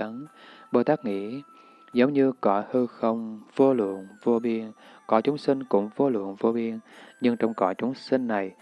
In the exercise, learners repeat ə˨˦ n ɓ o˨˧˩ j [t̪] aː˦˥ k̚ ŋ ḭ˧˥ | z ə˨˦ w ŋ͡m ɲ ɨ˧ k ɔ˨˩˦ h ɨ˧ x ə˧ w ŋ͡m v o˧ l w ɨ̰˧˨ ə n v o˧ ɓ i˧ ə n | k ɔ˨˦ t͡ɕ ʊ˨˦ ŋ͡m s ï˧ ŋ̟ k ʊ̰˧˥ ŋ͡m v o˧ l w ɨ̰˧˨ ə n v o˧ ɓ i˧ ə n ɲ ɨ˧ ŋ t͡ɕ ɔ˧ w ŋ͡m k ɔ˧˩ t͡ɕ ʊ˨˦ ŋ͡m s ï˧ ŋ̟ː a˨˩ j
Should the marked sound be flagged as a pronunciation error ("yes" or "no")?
no